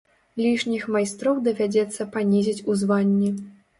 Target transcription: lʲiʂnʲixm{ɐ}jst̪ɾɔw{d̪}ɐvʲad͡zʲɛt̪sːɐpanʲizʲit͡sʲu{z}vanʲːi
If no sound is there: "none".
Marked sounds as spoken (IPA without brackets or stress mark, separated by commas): a, d̪, z